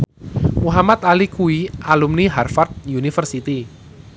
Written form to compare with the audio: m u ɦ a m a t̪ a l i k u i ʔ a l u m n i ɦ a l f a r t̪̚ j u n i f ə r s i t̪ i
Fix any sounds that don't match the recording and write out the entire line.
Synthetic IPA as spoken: m u ɦ a m a t̪ a l i k u i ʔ a l u m n i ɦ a r f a r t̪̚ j u n i f ə r s i t̪ i